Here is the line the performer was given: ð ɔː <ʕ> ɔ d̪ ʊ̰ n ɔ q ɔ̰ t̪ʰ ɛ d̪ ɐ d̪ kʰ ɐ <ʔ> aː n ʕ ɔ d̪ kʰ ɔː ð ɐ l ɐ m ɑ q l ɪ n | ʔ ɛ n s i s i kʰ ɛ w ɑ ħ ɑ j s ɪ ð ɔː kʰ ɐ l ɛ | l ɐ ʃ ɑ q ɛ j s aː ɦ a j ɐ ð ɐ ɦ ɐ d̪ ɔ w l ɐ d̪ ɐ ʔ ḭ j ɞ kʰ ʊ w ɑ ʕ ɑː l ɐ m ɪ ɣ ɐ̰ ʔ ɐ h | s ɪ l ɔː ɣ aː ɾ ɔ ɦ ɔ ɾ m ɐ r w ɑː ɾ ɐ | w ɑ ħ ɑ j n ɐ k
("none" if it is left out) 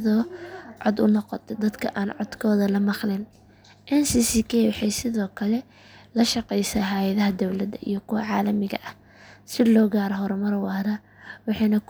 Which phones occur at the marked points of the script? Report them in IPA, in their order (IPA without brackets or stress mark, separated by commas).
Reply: ʕ, ʔ